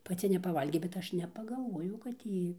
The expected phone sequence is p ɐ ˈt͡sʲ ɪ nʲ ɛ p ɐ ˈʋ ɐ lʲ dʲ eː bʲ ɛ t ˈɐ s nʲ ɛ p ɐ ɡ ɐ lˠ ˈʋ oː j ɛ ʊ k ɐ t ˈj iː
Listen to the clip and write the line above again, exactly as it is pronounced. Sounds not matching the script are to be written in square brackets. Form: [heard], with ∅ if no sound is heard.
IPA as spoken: p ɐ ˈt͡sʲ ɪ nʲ ɛ p ɐ ˈʋ ɐ lʲ [ɡʲ] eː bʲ ɛ t ˈɐ [ʃ] nʲ ɛ p ɐ ɡ ɐ lˠ ˈʋ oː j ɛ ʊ k ɐ t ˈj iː